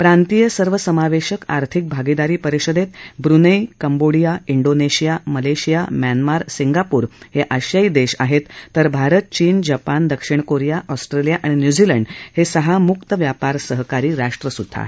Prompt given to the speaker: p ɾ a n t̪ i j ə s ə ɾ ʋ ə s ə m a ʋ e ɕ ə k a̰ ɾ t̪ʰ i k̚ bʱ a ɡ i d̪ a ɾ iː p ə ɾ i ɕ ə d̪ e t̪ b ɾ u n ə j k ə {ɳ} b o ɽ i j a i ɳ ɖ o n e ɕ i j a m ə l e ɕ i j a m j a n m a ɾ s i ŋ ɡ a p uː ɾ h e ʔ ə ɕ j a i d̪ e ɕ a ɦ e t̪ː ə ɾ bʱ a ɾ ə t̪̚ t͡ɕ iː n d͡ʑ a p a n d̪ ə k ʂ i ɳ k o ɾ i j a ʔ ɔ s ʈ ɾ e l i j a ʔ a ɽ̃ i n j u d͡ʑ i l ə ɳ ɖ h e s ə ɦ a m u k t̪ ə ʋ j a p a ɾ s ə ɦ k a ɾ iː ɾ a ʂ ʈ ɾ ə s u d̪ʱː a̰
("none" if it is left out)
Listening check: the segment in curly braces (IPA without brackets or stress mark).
m